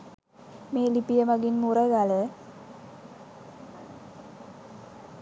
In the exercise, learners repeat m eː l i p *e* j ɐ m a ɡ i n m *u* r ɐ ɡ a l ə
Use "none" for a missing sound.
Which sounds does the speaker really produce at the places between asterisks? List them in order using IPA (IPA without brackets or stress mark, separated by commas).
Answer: i, u